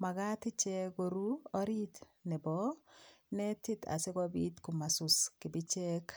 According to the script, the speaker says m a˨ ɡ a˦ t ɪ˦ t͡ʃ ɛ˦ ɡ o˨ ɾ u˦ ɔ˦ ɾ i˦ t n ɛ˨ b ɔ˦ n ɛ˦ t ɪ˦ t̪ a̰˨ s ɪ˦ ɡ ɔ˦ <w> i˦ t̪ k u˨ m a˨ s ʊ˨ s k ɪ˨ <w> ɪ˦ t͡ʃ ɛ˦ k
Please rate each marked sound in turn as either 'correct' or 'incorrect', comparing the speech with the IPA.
incorrect: b, incorrect: b

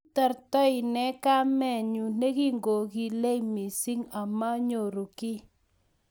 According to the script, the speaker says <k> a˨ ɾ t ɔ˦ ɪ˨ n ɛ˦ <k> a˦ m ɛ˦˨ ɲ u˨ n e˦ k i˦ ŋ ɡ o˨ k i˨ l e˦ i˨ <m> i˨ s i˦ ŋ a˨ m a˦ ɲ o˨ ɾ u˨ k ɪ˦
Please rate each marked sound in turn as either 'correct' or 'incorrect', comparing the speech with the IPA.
incorrect: t, correct, correct

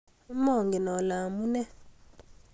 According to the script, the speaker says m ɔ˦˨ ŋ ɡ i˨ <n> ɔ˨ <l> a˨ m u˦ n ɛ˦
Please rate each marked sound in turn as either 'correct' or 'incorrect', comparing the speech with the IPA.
correct, correct

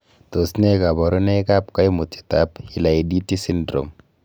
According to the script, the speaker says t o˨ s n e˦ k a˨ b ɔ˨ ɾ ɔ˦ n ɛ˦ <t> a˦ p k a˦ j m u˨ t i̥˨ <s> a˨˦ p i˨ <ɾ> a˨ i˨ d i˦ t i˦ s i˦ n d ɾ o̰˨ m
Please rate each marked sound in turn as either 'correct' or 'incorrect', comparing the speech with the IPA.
incorrect: k, incorrect: t, incorrect: l

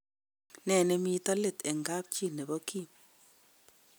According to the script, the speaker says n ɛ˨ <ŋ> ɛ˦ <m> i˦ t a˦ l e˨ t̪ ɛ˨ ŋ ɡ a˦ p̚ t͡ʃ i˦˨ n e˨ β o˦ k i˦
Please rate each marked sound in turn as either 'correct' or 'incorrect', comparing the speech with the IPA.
incorrect: n, correct

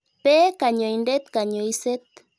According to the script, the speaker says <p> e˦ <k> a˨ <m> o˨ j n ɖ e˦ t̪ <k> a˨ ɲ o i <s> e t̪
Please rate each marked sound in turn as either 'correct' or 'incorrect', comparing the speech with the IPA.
correct, correct, incorrect: ɲ, correct, correct

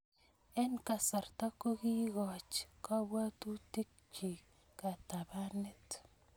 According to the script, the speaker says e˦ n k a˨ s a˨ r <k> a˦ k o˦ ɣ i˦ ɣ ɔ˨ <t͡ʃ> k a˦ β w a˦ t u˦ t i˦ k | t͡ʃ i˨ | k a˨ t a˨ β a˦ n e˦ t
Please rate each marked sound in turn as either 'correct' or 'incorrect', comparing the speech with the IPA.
incorrect: t, correct

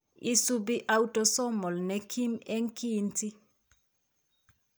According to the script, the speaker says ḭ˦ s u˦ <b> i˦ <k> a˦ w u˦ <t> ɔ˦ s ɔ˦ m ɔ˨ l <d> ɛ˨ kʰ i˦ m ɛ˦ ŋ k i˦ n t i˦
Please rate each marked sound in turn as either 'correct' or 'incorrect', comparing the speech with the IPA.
correct, incorrect: ʔ, correct, incorrect: n

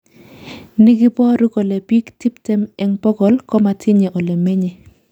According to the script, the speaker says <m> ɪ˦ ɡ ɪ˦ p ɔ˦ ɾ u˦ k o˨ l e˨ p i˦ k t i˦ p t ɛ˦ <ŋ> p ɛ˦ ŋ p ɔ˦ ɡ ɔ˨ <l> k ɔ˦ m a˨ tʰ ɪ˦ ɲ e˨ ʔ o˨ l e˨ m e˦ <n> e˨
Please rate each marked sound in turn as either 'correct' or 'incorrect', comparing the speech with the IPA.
incorrect: n, incorrect: m, correct, incorrect: ɲ

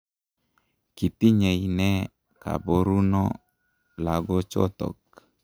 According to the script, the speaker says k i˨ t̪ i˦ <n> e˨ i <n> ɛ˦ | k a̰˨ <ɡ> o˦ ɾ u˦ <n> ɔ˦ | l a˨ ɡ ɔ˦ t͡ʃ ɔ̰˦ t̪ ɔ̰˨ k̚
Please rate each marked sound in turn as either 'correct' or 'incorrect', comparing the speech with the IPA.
incorrect: ɲ, correct, incorrect: b, correct

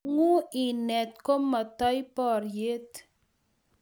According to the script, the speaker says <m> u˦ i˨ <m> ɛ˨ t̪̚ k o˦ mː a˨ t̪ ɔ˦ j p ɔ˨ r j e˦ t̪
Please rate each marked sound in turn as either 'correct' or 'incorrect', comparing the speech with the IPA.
incorrect: ŋ, incorrect: n

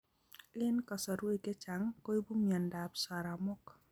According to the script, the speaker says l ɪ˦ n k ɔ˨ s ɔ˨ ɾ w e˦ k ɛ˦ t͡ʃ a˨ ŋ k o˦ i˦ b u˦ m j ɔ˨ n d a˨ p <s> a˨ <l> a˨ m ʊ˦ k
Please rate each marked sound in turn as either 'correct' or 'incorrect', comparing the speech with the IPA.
correct, incorrect: ɾ

